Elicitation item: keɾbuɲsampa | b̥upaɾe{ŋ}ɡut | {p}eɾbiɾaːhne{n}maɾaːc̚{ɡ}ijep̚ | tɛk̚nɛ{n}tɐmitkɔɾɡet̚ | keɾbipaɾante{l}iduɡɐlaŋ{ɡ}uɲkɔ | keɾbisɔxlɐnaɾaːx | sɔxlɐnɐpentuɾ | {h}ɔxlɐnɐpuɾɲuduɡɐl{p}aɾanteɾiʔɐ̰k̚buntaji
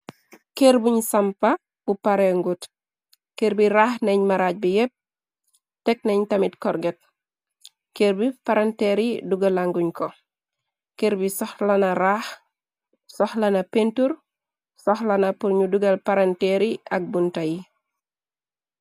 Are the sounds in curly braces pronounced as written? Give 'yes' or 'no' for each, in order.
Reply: yes, no, no, no, no, no, yes, no, yes

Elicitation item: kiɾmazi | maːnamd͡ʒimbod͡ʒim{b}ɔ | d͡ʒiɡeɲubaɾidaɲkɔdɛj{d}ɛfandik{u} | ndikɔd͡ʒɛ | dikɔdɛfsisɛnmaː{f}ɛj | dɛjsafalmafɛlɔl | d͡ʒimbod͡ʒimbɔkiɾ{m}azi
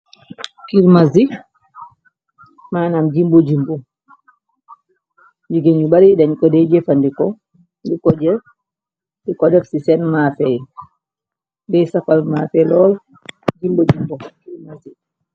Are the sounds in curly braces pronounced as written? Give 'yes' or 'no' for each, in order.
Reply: yes, no, no, yes, yes

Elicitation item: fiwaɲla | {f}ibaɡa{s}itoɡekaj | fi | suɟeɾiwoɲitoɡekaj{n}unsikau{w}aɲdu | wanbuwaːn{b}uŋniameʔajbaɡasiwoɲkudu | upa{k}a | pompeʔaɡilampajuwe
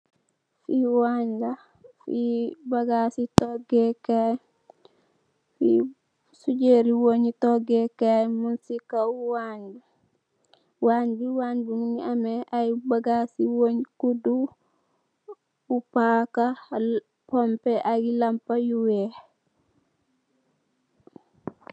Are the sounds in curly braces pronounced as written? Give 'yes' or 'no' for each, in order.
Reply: yes, yes, no, yes, yes, yes

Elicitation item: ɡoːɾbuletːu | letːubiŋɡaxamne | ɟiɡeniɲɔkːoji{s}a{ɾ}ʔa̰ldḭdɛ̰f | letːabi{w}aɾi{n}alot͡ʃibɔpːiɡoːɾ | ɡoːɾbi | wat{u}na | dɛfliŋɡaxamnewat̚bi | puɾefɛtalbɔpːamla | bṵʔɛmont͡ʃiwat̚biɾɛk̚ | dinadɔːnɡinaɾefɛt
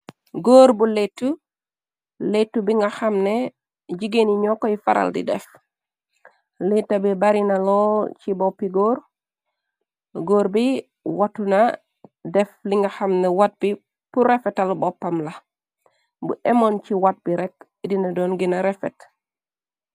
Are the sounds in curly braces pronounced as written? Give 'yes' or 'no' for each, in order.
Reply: no, yes, no, yes, yes

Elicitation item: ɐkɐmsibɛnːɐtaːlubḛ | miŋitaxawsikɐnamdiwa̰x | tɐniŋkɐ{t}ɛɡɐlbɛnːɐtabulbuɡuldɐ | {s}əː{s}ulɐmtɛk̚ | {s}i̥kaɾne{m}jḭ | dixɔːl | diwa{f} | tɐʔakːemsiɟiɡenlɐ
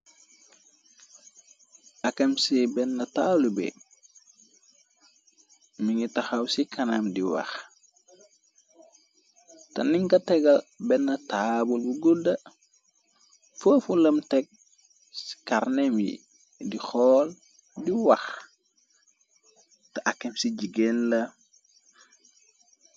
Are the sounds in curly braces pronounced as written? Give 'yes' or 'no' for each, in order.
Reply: yes, no, no, yes, yes, no

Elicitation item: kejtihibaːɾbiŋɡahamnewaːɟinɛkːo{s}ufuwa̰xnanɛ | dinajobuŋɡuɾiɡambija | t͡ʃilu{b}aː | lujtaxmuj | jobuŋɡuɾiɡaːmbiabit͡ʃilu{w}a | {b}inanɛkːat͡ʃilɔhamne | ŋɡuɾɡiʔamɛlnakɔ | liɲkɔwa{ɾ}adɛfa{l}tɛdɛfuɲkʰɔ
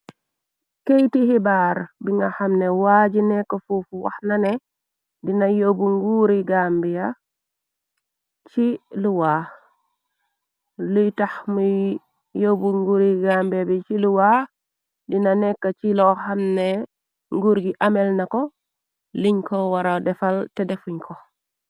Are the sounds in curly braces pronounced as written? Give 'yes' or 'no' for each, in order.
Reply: no, no, yes, no, yes, yes

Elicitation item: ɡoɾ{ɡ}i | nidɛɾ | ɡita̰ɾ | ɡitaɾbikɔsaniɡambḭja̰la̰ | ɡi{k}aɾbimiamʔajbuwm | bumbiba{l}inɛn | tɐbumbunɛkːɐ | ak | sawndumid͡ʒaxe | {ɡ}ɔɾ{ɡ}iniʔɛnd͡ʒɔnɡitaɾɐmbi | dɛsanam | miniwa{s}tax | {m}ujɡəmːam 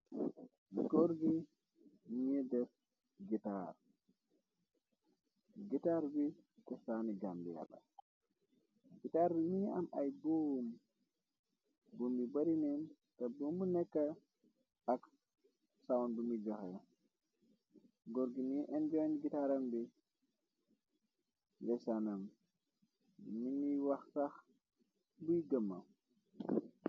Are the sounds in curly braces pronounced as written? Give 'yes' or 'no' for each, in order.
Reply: yes, no, no, yes, yes, no, no

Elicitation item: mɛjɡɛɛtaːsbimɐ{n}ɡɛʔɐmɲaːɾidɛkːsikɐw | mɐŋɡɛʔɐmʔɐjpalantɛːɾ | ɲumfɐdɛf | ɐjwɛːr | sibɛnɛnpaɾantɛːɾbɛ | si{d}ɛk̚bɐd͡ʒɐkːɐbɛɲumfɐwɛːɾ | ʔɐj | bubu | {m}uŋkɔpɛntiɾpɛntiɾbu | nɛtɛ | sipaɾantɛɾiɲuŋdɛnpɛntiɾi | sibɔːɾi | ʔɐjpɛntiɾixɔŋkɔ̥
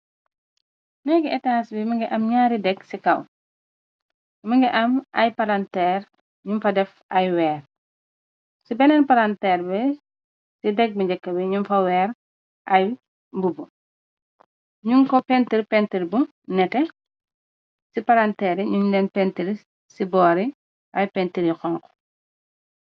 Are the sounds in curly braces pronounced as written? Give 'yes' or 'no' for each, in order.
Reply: no, yes, no

